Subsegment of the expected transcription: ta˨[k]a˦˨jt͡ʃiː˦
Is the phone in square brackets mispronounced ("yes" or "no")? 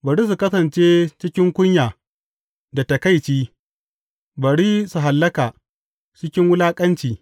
no